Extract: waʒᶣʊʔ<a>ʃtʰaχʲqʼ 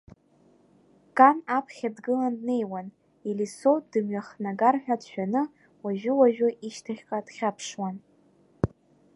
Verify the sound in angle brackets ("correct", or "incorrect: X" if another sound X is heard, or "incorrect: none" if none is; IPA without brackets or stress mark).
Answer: incorrect: i